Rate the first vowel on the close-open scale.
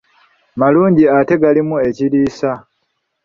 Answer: open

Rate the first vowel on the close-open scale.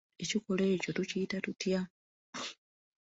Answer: mid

